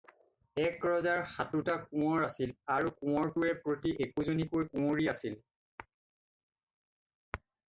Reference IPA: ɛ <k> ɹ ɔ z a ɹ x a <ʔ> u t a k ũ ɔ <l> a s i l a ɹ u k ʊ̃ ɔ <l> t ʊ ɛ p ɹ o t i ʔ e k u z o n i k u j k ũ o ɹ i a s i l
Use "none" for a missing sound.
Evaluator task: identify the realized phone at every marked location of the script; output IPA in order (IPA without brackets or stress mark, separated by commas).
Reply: k, t, ɹ, ɹ